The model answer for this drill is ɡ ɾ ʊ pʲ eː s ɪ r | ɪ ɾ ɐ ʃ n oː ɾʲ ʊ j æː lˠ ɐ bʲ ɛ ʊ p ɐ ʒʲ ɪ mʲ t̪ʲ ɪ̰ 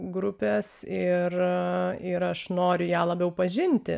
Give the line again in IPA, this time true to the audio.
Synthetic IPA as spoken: ɡ ɾ ʊ pʲ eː s ɪ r | ɪ ɾ ɐ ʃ n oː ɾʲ ʊ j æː lˠ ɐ bʲ ɛ ʊ p ɐ ʒʲ ɪ nʲ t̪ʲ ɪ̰